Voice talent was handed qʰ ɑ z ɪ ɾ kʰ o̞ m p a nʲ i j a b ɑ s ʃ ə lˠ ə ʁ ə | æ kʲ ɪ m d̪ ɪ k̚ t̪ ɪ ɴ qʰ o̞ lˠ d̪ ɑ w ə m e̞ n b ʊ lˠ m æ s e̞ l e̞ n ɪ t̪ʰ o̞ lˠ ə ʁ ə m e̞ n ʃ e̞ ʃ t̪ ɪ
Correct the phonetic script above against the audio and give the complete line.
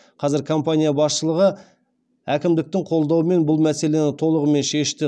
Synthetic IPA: qʰ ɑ z ɪ ɾ kʰ o̞ m p a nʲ i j a b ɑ s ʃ ə lˠ ə ʁ ə | æ kʲ ɪ m d̪ ɪ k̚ t̪ ɪ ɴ qʰ o̞ lˠ d̪ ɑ w ə m e̞ n b ʊ lˠ m æ s e̞ l e̞ n ɪ t̪ʰ o̞ lˠ ə ʁ ə m e̞ n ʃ e̞ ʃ t̪ ɪ